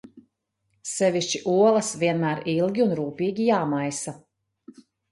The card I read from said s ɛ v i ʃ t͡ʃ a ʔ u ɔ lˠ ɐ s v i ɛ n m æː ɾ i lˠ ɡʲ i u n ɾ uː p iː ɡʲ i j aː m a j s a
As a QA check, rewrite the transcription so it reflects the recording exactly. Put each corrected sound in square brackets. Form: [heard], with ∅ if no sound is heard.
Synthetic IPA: s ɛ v i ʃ t͡ʃ [i] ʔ u ɔ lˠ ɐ s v i ɛ n m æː ɾ i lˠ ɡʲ i u n ɾ uː p iː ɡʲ i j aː m a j s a